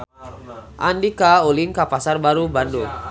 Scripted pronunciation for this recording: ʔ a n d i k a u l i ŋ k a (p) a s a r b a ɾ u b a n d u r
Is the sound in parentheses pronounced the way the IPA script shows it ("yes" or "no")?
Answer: yes